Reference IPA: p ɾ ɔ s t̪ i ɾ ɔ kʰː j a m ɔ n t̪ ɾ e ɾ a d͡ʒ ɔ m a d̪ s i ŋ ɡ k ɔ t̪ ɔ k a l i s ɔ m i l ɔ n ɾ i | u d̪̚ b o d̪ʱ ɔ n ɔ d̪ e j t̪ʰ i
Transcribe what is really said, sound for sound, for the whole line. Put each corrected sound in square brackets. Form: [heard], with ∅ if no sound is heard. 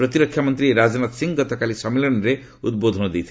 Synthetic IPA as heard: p ɾ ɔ [∅] t̪ i ɾ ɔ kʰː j a m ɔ n t̪ ɾ [i] ɾ a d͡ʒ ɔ [n] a [t̪] s i ŋ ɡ [ɡ] ɔ t̪ ɔ k a l i s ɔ m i l ɔ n ɾ [e] | u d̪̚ b o d̪ʱ ɔ n ɔ d̪ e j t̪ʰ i